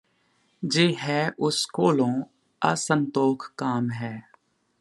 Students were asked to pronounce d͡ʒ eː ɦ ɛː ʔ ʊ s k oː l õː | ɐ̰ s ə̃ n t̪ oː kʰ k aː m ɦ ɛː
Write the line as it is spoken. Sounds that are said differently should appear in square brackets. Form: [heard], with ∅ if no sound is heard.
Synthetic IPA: d͡ʒ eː ɦ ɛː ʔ ʊ s k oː l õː | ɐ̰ s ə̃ n t̪ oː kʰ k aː m ɦ ɛː